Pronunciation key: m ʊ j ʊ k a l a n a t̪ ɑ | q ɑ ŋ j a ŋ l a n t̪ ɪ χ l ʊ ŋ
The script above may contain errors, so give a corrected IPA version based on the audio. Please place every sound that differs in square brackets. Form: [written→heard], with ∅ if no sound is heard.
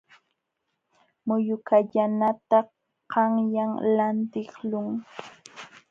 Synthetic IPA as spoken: m ʊ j ʊ k a [l→ʎ] a n a t̪ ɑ | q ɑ ŋ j a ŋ l a n t̪ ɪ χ l ʊ ŋ